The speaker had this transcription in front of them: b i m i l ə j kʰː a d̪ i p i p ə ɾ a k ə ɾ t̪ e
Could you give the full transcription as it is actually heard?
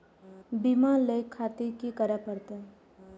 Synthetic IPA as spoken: b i m a l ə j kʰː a t̪ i k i k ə ɾ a p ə ɾ t̪ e